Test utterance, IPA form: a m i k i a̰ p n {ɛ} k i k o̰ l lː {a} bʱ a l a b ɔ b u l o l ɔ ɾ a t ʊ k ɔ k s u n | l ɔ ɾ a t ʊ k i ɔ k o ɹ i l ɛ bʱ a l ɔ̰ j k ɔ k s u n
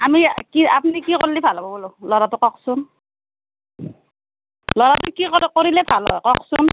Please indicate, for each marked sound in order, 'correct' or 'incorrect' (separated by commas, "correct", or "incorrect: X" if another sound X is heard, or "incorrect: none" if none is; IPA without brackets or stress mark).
incorrect: i, incorrect: i